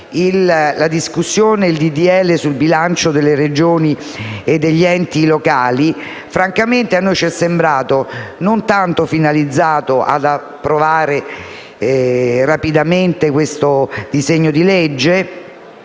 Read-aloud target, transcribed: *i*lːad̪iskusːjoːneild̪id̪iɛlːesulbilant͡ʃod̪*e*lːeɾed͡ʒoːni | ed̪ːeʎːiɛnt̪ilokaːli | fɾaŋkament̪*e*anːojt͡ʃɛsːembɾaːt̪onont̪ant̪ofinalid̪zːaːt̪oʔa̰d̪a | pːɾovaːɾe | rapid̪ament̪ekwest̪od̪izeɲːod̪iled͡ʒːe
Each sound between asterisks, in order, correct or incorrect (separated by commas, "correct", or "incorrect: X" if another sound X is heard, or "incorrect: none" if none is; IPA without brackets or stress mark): correct, correct, correct